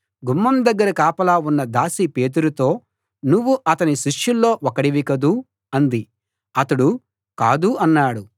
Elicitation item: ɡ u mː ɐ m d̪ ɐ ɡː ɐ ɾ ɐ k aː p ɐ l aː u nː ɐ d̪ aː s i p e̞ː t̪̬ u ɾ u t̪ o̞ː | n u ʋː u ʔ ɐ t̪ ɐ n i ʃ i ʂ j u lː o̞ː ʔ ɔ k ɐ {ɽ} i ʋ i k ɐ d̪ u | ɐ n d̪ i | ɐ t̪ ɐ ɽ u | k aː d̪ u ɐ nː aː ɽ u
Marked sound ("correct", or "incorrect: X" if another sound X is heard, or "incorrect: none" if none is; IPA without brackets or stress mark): correct